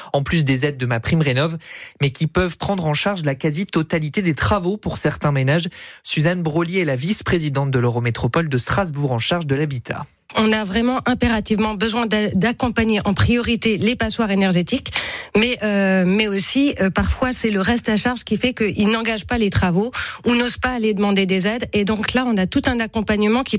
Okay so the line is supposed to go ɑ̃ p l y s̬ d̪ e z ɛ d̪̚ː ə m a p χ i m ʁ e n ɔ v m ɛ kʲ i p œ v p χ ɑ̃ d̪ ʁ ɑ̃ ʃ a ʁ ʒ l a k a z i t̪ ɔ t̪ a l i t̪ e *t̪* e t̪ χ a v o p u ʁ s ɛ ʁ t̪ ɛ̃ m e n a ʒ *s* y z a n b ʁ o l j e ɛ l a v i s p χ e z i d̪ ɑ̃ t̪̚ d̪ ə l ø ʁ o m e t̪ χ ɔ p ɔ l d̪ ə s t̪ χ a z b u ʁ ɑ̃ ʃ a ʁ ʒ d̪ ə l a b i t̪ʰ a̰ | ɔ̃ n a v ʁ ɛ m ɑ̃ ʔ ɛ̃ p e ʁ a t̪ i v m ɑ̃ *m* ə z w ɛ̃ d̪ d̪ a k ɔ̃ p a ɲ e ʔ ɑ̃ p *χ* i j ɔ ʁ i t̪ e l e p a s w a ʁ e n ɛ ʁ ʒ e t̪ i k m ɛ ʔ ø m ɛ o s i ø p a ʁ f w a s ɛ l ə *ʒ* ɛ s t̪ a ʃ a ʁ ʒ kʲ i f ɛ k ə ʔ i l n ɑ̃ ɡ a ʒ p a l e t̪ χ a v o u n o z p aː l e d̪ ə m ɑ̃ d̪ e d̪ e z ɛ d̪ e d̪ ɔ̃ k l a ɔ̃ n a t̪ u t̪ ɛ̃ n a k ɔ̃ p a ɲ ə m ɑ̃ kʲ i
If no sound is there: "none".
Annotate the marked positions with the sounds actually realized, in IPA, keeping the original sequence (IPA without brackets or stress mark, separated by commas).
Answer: d̪, s, b, χ, ʁ